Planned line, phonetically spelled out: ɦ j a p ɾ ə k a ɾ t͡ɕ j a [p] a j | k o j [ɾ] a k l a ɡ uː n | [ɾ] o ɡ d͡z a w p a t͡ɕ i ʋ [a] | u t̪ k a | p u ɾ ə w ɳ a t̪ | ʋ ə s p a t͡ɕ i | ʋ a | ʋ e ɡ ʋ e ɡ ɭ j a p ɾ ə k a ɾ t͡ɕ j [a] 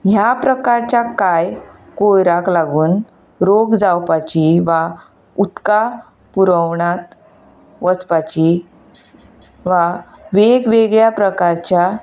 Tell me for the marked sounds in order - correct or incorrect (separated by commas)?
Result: incorrect, correct, correct, correct, correct